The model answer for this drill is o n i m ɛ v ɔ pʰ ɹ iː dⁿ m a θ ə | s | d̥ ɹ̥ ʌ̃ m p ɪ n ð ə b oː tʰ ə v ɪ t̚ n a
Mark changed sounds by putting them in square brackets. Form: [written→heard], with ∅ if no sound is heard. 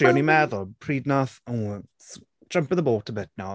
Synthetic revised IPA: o n i m ɛ [v→ð] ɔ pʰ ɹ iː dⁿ [m→n] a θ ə | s | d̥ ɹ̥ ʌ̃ m p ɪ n ð ə b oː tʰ ə [v→b] ɪ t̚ n a

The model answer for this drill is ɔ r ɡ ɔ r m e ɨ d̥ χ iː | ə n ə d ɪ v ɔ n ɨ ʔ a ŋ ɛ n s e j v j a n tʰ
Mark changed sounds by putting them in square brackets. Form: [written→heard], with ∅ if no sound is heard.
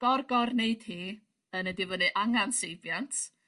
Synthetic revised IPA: ɔ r ɡ ɔ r [m→n] e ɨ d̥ [χ→h] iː | ə n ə d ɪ v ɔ n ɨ ʔ a ŋ [ɛ→a] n s e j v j a n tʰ

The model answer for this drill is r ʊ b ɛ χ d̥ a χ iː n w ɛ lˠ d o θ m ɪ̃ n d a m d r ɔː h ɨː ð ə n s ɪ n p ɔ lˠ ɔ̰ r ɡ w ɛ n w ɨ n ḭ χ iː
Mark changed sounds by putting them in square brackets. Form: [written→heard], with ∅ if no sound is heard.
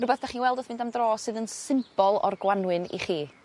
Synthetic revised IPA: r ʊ b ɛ [χ→θ] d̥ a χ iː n w ɛ lˠ d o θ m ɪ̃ n d a m d r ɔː [h→s] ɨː ð ə n s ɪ [n→m] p ɔ lˠ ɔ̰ r ɡ w [ɛ→a] n w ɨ n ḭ χ iː

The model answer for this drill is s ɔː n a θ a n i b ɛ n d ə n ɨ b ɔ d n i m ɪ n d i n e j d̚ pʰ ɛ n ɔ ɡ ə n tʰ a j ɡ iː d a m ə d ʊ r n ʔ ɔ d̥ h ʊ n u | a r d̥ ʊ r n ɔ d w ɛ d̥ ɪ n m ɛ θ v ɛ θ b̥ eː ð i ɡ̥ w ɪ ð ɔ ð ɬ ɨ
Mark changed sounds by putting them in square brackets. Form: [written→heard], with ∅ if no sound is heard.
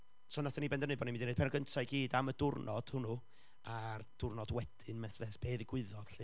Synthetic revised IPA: s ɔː n a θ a n i b ɛ n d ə n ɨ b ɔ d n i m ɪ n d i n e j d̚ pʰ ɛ n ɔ ɡ ə n tʰ a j ɡ iː d a m ə d ʊ r n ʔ ɔ d̥ h ʊ n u | a r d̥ ʊ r n ɔ d w ɛ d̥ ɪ n m ɛ θ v ɛ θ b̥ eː ð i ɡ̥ w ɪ ð ɔ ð ɬ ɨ

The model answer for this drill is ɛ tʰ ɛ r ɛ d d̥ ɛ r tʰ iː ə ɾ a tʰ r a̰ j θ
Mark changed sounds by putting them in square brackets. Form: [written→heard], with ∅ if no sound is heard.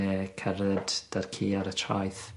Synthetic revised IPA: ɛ [tʰ→kʰ] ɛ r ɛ d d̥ [ɛ→a] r [tʰ→kʰ] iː [ə→a] ɾ [a→ə] tʰ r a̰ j θ

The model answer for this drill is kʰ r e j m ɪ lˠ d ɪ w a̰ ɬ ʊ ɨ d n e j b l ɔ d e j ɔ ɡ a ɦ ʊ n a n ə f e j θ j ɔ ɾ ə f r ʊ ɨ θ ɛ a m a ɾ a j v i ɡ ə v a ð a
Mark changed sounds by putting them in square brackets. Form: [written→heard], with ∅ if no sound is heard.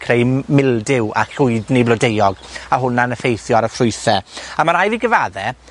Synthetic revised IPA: kʰ r e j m ɪ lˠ d ɪ w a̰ ɬ ʊ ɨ d n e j b l ɔ d e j ɔ ɡ a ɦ ʊ n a n ə f e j θ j ɔ ɾ ə f r ʊ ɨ θ ɛ a m a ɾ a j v i ɡ ə v a ð [a→ɛ]

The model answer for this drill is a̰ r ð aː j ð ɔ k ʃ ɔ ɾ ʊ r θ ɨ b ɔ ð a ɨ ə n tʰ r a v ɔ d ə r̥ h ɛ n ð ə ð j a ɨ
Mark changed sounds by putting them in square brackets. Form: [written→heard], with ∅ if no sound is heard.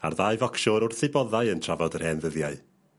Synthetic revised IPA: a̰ r ð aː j [ð→v] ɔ k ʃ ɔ ɾ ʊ r θ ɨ b ɔ ð a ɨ ə n tʰ r a v ɔ d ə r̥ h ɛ n ð ə ð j a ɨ

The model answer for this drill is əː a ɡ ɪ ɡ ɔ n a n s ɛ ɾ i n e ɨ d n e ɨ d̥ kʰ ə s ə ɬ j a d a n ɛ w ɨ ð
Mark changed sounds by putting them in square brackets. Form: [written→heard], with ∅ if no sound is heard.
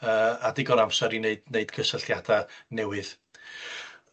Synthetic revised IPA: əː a [ɡ→d] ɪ ɡ ɔ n a [n→m] s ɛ ɾ i n e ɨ d n e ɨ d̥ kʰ ə s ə ɬ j a d a n ɛ w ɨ ð

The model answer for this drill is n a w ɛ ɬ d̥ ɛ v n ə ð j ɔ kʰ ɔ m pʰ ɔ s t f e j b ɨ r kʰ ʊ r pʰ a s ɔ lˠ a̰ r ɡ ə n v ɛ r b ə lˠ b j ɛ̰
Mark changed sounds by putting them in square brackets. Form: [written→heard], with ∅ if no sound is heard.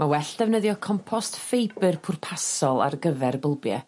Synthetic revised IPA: [n→m] a w ɛ ɬ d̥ ɛ v n ə ð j ɔ kʰ ɔ m pʰ ɔ s t f e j b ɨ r [kʰ→pʰ] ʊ r pʰ a s ɔ lˠ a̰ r ɡ ə [n→∅] v ɛ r b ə lˠ b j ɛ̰

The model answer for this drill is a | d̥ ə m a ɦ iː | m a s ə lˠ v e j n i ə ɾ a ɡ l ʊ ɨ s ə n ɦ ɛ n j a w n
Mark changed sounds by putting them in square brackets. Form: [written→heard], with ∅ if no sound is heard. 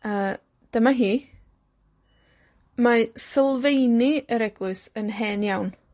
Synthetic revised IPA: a | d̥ ə m a ɦ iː | m a s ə lˠ v e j n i ə ɾ [a→ɛ] ɡ l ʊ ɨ s ə n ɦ ɛ n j a w n

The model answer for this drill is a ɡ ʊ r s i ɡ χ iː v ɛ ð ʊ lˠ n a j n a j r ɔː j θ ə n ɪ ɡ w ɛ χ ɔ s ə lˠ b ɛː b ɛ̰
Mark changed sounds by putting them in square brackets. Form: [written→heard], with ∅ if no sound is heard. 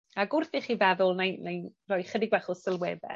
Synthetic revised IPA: a ɡ ʊ r [s→θ] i [ɡ→∅] χ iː v ɛ ð ʊ lˠ n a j n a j r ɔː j [θ→χ] ə [n→d] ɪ ɡ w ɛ χ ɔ s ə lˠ [b→w] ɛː b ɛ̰

